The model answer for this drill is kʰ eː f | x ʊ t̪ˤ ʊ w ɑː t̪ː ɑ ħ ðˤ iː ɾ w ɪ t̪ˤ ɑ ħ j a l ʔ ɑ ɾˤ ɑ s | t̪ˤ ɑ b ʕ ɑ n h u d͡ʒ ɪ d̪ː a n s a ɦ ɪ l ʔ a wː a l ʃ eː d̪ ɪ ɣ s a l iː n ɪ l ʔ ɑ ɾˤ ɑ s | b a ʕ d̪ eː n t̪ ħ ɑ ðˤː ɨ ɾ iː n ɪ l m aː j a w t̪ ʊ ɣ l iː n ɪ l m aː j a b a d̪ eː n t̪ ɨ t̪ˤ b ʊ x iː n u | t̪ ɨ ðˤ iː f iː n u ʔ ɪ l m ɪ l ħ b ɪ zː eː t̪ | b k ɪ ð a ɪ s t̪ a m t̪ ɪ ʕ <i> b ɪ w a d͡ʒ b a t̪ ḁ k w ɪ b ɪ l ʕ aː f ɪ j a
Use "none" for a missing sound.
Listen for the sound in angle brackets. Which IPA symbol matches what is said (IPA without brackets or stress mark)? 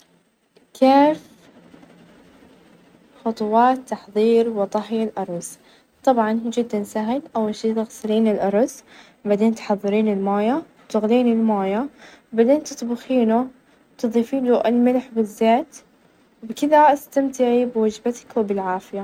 i